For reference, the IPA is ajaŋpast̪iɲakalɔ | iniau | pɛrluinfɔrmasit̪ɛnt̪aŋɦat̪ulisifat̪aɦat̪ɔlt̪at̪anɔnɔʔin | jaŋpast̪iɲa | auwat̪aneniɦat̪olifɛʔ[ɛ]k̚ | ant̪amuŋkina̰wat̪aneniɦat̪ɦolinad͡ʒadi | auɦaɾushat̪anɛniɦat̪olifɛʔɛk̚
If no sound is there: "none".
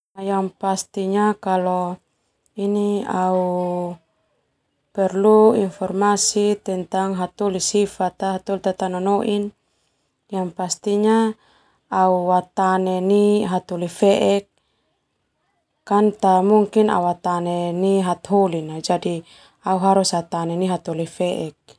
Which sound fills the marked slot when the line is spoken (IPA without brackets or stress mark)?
ɛ